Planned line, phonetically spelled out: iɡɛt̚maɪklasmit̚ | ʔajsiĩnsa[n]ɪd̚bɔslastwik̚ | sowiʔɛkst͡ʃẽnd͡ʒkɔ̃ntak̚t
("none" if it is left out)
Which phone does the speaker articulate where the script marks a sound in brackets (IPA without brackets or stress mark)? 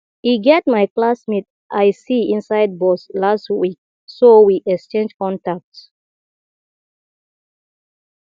none